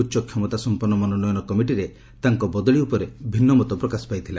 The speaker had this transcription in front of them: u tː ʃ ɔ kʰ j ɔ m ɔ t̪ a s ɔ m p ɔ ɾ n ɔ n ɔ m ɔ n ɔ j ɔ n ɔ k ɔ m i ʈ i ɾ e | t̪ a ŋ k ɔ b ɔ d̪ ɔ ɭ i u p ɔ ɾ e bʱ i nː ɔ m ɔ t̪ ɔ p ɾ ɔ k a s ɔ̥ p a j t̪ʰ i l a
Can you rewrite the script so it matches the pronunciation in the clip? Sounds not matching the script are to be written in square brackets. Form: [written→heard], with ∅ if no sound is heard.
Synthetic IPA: u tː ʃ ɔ kʰ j ɔ m ɔ t̪ a s ɔ m p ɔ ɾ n ɔ [n→m] ɔ [m→n] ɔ n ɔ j ɔ n ɔ k ɔ m i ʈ i ɾ e | t̪ a ŋ k ɔ b ɔ d̪ ɔ ɭ i u p ɔ ɾ e bʱ i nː ɔ m ɔ t̪ ɔ p ɾ ɔ k a s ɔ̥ p a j t̪ʰ i l a